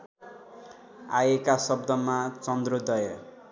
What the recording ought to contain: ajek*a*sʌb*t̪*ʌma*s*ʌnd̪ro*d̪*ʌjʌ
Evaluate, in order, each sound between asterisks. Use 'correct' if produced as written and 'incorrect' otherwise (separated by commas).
correct, incorrect, incorrect, correct